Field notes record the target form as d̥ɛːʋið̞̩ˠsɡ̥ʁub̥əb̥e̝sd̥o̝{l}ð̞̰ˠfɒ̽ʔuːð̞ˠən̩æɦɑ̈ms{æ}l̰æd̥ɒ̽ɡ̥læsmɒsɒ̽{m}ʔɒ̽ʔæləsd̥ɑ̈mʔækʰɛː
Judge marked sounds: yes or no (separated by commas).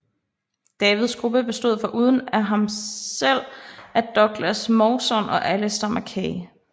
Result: no, no, no